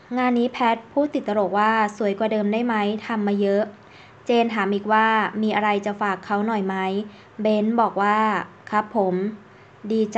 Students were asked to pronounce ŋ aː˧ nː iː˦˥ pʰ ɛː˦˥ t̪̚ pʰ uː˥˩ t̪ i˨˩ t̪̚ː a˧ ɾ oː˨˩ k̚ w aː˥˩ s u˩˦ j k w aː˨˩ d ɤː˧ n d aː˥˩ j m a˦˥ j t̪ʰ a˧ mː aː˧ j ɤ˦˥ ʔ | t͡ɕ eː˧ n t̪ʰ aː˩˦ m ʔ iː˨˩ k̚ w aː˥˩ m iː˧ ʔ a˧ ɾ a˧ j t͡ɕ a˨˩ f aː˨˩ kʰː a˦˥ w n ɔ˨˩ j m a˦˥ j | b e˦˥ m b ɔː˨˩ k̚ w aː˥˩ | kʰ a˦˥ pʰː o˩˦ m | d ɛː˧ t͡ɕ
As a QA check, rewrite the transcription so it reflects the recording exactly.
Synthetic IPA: ŋ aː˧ nː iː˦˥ pʰ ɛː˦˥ t̪̚ pʰ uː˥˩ t̪ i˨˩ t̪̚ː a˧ ɾ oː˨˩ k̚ w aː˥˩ s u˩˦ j k w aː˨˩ d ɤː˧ m d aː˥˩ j m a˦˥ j t̪ʰ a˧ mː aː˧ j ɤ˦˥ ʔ | t͡ɕ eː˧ n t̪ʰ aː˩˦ m ʔ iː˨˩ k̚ w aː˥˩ m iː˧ ʔ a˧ ɾ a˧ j t͡ɕ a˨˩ f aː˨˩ kʰː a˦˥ w n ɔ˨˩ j m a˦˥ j | b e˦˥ n b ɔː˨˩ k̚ w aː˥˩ | kʰ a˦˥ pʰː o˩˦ m | d iː˧ t͡ɕ